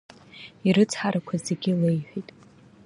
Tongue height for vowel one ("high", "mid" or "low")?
high